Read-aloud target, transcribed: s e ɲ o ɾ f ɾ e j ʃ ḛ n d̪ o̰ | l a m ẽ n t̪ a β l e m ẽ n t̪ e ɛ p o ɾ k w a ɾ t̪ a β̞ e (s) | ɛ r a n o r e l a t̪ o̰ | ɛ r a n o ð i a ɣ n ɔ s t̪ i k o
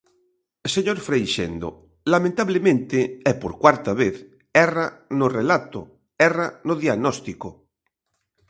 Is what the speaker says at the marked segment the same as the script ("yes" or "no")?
no